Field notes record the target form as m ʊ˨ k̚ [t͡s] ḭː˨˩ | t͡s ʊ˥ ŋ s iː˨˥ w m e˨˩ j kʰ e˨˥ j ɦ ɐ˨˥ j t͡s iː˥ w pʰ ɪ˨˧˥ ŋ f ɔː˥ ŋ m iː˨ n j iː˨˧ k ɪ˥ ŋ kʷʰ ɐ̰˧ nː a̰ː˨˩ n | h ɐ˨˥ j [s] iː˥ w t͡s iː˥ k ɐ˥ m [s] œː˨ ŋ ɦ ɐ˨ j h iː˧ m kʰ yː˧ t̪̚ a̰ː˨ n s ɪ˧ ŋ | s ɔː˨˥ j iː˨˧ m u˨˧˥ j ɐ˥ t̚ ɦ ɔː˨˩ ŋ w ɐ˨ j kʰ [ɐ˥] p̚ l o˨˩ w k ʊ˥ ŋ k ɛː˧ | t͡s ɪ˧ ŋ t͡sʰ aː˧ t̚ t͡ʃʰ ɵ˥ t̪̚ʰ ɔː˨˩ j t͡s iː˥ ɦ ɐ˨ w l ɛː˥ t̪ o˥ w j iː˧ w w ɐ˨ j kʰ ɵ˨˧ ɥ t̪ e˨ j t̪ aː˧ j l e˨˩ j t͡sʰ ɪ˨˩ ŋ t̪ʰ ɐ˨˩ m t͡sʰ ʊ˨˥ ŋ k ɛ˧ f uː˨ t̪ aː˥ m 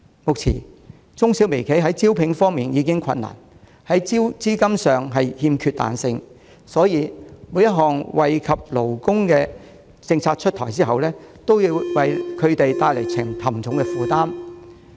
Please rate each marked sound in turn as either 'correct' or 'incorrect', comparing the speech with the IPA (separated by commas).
incorrect, incorrect, correct, incorrect